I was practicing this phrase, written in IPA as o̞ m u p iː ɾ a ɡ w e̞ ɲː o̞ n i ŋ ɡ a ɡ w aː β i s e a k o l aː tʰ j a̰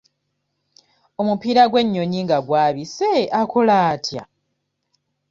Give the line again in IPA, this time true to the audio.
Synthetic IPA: o̞ m u p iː ɾ a ɡ w e̞ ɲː o̞ ɲ i ŋ ɡ a ɡ w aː β i s e a k o l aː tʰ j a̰